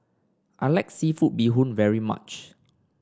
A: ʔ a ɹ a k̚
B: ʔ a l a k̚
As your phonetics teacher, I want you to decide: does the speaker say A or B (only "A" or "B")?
B